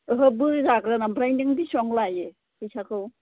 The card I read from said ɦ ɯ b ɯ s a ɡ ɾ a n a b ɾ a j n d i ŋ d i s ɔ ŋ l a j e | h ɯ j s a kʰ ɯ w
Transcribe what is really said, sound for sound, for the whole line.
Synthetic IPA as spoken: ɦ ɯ b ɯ z a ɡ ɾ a n a b ɾ a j n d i ŋ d i s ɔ ŋ l a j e | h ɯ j s a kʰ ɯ w